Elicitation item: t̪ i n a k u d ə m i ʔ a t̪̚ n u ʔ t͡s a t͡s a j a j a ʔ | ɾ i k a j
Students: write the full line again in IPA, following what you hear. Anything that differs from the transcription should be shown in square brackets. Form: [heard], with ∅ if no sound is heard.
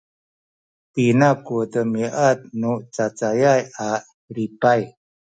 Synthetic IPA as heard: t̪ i n a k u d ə m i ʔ a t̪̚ n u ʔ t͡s a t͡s a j a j a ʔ | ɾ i [p] a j